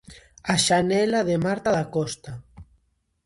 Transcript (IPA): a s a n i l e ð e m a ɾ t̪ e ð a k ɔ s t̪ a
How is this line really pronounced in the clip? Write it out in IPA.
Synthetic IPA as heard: a ʃ a n ɛ l a ð e m a ɾ t̪ a ð a k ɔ s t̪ a

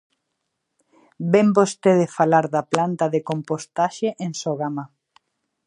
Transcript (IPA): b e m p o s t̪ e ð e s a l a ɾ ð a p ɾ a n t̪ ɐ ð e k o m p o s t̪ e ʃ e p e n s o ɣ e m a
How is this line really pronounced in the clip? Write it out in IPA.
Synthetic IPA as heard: b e m b o s t̪ e ð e f a l a ɾ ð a p l a n t̪ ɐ ð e k o m p o s t̪ a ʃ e ʔ e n s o ɣ a m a

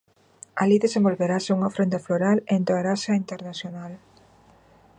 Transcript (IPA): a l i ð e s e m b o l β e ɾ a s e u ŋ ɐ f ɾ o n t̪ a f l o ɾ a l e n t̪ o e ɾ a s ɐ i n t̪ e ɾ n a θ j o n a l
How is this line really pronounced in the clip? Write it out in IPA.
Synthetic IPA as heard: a l i ð e s e m b o l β e ɾ a s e u ŋ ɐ f ɾ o n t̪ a f l o ɾ a l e n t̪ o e ɾ a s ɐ i n t̪ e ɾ n a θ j o n a l

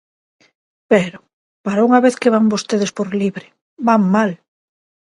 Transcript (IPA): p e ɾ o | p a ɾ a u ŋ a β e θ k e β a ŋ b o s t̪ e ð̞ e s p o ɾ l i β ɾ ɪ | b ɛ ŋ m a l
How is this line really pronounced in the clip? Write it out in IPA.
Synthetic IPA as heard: p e ɾ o | p a ɾ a u ŋ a β e θ k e β a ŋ b o s t̪ e ð̞ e s p o ɾ l i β ɾ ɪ | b a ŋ m a l

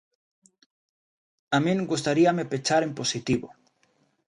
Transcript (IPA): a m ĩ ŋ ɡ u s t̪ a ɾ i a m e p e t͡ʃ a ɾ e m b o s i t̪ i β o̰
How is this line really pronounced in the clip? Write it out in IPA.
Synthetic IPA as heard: a m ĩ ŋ ɡ u s t̪ a ɾ i a m e p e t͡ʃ a ɾ e m p o s i t̪ i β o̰

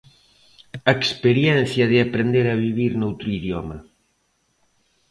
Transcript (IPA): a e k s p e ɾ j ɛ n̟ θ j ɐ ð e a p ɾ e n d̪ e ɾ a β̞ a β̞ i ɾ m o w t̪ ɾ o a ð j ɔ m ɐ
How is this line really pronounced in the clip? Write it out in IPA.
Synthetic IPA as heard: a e k s p e ɾ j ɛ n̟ θ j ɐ ð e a p ɾ e n d̪ e ɾ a β̞ i β̞ i ɾ n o w t̪ ɾ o i ð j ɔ m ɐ

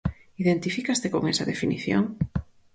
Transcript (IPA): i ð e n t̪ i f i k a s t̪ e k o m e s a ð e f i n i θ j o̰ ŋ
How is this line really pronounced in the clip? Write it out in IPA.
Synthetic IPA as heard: i ð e n t̪ i f i k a s t̪ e k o ŋ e s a ð e f i n i θ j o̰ ŋ

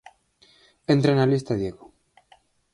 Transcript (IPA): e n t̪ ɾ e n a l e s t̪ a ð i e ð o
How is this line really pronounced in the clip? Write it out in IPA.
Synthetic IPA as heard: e n t̪ ɾ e n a l i s t̪ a ð j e ɣ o

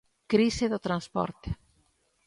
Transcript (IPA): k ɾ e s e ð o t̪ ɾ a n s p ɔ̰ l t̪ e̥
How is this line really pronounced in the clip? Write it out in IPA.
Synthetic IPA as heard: k ɾ i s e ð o t̪ ɾ a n s p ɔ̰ ɾ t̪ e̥

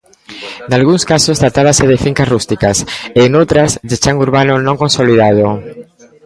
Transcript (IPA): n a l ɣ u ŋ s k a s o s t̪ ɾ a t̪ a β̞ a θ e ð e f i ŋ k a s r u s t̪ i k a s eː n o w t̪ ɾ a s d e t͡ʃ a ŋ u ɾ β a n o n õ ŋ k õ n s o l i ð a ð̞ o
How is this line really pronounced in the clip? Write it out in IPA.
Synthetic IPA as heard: n a l ɣ u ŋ s k a s o s t̪ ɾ a t̪ a β̞ a s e ð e f i ŋ k a s r u s t̪ i k a s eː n o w t̪ ɾ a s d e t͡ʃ a ŋ u ɾ β a n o n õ ŋ k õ n s o l i ð a ð̞ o

